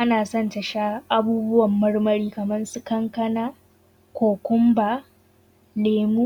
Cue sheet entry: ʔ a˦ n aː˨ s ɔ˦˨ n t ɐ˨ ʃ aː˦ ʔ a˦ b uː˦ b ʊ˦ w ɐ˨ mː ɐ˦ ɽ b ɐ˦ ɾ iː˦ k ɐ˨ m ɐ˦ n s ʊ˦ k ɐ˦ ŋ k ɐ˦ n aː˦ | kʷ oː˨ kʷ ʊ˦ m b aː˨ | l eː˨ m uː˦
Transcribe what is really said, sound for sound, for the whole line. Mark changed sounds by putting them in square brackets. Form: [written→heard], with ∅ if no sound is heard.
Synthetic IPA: ʔ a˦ n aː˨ s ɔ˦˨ n t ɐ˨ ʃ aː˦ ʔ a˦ b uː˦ b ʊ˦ w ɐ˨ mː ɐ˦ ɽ [b→m] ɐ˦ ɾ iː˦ k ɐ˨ m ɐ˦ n s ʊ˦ k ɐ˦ ŋ k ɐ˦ n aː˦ | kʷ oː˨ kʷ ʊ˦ m b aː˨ | l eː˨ m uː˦